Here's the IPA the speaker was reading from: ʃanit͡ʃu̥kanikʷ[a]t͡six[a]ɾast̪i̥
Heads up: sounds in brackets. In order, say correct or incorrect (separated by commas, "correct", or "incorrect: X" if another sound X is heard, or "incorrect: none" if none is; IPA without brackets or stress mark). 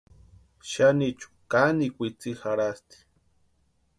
incorrect: i, correct